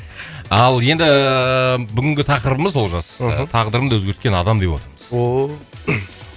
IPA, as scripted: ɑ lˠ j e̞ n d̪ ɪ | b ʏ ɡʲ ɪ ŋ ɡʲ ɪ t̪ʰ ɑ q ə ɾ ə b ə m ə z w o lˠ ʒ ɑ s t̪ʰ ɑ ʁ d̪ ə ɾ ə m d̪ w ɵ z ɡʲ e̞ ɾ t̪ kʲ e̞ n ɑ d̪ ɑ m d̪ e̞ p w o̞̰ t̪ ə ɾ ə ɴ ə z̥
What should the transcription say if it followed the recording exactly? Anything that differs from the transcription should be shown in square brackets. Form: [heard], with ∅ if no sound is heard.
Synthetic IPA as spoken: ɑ lˠ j e̞ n d̪ ɪ | b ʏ ɡʲ ɪ ŋ ɡʲ ɪ t̪ʰ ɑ q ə ɾ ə b ə m ə z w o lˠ ʒ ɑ s t̪ʰ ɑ ʁ d̪ ə ɾ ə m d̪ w ɵ z ɡʲ e̞ ɾ t̪ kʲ e̞ n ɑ d̪ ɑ m d̪ e̞ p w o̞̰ t̪ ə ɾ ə [m] ə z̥

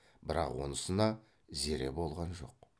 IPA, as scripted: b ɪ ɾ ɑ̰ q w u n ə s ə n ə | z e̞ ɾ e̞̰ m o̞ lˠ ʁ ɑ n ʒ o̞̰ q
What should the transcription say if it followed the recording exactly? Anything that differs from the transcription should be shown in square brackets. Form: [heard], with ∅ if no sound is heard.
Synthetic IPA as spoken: b ɪ ɾ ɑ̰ q w [o] n ə s ə n [ɑ] | z e̞ ɾ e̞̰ [b] o̞ lˠ ʁ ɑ n ʒ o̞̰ q

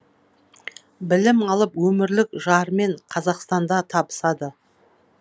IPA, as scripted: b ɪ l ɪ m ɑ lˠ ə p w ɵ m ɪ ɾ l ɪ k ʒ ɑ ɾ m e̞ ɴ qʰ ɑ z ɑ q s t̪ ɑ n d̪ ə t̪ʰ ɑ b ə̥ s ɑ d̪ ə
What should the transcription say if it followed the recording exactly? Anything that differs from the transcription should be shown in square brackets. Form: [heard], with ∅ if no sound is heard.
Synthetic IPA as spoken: b ɪ l ɪ m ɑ lˠ ə p w ɵ m ɪ ɾ l ɪ k ʒ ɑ ɾ m e̞ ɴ qʰ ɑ z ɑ q s t̪ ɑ n d̪ [ɑ] t̪ʰ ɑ b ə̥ s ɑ d̪ ə

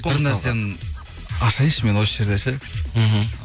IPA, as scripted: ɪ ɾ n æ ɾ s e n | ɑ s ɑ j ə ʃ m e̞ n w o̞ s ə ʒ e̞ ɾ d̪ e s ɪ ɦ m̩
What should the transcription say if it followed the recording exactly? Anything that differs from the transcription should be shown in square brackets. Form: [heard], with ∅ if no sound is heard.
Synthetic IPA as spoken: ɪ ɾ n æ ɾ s e n | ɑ [ʃ] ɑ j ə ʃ m e̞ n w o̞ s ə ʒ e̞ ɾ d̪ e [ʃ] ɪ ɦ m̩

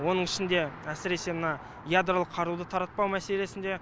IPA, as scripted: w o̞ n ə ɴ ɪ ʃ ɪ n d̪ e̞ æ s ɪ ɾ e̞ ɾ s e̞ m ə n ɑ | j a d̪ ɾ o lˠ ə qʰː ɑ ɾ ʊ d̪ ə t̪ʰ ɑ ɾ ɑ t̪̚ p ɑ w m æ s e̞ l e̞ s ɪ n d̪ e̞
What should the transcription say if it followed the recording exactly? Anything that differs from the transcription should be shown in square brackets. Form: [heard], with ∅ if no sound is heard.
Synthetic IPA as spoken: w o̞ n ə ɴ ɪ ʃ ɪ n d̪ e̞ æ s ɪ ɾ e̞ [∅] s e̞ m ə n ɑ | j a d̪ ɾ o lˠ ə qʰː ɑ ɾ [u] d̪ ə t̪ʰ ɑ ɾ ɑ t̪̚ p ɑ w m æ s e̞ l e̞ s ɪ n d̪ e̞

